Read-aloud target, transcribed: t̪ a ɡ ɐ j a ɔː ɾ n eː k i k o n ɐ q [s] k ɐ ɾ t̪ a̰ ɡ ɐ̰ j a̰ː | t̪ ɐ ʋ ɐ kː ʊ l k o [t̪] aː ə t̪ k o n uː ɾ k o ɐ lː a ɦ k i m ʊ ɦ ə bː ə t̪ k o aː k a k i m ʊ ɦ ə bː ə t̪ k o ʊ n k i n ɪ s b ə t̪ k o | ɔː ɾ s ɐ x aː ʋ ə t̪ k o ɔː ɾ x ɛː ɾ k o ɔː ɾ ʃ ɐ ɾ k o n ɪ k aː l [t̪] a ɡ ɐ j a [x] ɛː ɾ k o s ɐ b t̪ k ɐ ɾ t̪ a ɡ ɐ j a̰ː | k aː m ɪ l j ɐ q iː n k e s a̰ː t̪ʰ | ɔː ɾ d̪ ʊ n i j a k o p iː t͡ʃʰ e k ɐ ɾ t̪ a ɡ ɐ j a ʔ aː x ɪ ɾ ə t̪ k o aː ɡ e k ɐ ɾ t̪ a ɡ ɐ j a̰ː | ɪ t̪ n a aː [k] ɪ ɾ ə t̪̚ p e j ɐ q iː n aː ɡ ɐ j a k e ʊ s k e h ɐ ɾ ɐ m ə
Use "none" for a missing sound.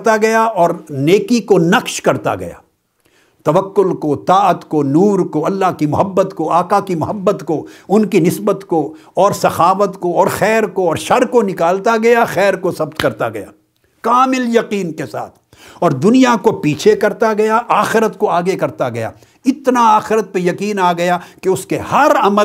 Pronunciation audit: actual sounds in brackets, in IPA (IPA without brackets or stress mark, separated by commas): ʃ, t̪, t̪, x, x